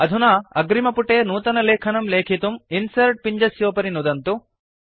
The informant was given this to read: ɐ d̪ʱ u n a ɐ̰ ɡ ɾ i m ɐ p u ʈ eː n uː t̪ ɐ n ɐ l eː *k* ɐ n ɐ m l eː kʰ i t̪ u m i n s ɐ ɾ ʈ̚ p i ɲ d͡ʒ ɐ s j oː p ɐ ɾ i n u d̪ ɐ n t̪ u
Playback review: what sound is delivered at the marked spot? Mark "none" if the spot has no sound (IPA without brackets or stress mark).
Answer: kʰ